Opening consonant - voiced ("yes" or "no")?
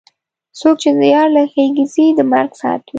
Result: no